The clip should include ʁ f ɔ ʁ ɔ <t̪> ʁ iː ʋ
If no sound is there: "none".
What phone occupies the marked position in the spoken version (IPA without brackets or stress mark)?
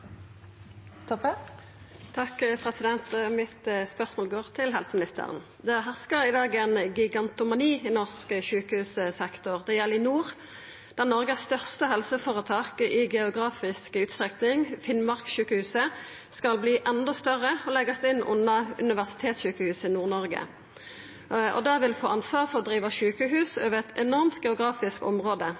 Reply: d̪